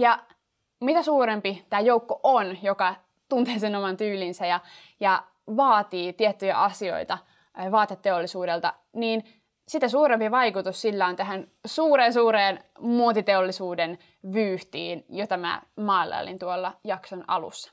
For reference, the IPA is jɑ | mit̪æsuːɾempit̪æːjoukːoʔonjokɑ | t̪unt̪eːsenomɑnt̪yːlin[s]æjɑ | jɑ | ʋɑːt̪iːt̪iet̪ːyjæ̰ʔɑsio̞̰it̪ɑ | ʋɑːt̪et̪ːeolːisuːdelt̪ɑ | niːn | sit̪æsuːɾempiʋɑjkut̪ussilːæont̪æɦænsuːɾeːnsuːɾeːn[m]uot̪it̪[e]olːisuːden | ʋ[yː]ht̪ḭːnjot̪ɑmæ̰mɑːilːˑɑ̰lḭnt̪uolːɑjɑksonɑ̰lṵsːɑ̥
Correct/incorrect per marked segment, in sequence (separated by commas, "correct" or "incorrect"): correct, correct, correct, correct